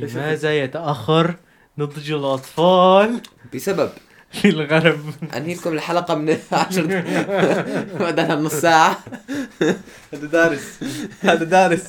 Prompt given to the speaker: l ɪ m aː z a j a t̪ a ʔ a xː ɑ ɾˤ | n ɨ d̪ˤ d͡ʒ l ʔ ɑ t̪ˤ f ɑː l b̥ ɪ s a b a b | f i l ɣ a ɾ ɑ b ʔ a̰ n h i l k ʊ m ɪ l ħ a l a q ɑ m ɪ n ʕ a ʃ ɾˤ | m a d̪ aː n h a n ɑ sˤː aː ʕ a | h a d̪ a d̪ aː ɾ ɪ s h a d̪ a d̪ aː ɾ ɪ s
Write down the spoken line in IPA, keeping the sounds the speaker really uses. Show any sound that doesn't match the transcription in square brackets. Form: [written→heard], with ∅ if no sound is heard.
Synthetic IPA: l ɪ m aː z a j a t̪ a ʔ a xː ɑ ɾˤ | n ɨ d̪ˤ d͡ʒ l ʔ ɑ t̪ˤ f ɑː l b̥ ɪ s a b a b | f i l ɣ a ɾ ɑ b ʔ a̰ n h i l k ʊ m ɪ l ħ a l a q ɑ m ɪ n ʕ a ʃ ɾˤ | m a d̪ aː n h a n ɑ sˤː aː ʕ a | h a d̪ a d̪ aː ɾ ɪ s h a d̪ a d̪ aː ɾ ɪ s